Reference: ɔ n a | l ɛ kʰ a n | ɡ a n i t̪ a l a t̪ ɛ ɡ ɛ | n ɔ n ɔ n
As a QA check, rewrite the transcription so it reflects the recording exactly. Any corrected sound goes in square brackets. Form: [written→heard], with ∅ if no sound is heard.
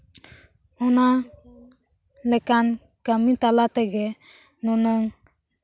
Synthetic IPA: ɔ n a | l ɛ [kʰ→k] a n | [ɡ→k] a [n→m] i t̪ a l a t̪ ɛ ɡ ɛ | n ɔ n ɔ [n→ŋ]